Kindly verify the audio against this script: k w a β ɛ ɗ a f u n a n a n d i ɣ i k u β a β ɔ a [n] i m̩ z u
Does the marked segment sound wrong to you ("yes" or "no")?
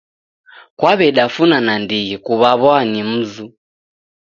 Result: no